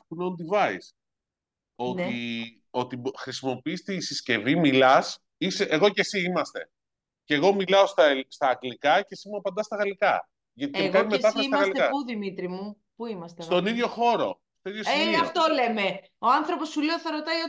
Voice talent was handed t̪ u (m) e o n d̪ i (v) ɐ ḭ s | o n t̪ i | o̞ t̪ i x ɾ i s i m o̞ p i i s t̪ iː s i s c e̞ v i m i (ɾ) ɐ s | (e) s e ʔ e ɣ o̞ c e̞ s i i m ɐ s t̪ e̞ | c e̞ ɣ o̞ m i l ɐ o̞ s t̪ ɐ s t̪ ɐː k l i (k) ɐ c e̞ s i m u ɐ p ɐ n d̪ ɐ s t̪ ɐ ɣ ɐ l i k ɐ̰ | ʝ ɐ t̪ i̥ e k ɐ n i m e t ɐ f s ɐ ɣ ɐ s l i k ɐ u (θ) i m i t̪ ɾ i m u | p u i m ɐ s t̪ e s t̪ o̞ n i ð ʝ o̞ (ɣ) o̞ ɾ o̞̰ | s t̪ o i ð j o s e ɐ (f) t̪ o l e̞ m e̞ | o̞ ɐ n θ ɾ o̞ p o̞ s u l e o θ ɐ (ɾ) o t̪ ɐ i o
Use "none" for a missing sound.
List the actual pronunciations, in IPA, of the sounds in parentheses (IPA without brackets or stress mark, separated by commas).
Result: n, v, l, i, k, ð, x, f, ɾ